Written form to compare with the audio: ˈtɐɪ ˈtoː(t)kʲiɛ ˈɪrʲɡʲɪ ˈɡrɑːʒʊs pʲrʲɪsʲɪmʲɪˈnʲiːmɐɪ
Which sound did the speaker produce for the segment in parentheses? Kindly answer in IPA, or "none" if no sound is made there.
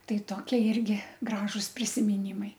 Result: none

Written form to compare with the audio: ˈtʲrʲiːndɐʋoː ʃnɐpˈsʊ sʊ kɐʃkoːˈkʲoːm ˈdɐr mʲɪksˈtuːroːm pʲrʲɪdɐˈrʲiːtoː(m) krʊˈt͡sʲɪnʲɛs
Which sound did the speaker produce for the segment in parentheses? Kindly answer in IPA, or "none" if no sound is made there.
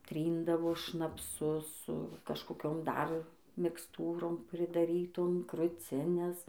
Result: m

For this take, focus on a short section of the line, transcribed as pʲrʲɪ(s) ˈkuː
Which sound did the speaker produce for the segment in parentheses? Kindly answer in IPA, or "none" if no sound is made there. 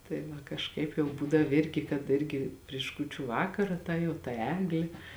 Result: ʃ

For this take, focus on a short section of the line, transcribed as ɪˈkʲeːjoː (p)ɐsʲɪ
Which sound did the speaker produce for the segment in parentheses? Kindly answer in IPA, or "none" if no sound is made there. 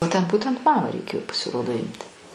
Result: p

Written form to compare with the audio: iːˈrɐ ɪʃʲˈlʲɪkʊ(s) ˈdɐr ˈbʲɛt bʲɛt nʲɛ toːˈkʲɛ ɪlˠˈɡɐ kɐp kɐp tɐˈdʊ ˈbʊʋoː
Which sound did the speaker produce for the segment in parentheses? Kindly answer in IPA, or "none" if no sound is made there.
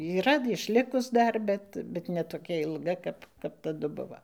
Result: s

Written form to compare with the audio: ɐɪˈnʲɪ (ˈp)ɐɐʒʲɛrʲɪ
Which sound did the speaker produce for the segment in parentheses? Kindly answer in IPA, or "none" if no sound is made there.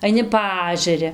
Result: p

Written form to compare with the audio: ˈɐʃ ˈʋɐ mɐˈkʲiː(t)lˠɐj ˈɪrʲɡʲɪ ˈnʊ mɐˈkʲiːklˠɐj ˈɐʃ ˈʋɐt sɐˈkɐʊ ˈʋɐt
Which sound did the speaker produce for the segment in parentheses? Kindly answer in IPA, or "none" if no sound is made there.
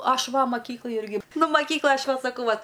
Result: k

